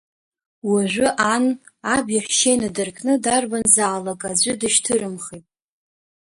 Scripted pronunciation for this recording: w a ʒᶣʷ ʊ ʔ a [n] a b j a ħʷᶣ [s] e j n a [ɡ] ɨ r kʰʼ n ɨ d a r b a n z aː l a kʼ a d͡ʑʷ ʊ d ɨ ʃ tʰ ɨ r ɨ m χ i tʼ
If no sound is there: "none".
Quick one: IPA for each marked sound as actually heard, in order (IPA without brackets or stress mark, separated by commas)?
n, ʃ, d